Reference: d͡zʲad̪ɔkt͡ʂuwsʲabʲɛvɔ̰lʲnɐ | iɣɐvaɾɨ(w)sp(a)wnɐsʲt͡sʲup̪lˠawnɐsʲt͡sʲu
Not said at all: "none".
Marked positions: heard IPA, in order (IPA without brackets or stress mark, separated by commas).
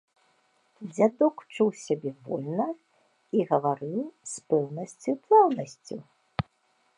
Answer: w, ɛ